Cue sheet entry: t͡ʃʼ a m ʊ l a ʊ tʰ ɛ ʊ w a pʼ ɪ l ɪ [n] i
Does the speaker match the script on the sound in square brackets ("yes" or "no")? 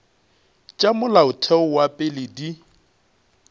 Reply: no